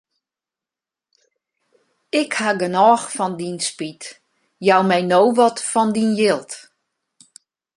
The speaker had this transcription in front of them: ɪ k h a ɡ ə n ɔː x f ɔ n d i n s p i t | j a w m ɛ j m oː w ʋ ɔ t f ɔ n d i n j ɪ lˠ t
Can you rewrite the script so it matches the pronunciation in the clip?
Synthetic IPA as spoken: ɪ k h a ɡ ə n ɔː x f ɔ n d i n s p i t | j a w m ɛ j n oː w ʋ ɔ t f ɔ n d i n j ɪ lˠ t